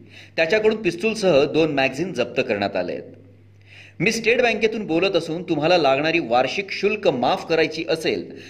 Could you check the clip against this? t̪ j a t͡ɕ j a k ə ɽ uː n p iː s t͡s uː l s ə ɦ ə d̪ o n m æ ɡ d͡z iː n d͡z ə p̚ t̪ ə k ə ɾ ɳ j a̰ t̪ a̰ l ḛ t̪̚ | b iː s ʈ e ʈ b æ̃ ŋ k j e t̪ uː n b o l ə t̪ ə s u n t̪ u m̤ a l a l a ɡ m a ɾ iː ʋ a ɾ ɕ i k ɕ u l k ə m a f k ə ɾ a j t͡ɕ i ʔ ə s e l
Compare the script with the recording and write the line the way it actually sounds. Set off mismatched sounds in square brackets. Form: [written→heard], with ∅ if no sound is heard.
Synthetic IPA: t̪ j a t͡ɕ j a k ə ɽ uː n p [iː→i] s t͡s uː l s ə ɦ ə d̪ o n m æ ɡ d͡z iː n d͡z ə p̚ t̪ ə k ə ɾ ɳ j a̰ t̪ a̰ l ḛ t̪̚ | [b→m] iː s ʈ e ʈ b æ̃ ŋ k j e t̪ uː n b o l ə t̪ ə s [u→uː] n t̪ u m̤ a l a l a ɡ [m→ɳ] a ɾ iː ʋ a ɾ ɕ i k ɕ u l k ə m a f k ə ɾ a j t͡ɕ [i→iː] ʔ ə s e l